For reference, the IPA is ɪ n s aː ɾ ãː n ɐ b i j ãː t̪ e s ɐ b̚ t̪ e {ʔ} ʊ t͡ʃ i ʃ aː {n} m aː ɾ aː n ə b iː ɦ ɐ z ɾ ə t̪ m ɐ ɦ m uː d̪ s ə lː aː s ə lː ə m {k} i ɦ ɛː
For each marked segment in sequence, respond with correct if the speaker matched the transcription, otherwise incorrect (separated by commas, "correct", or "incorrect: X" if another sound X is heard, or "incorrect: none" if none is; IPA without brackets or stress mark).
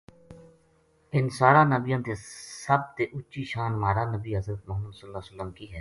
correct, correct, correct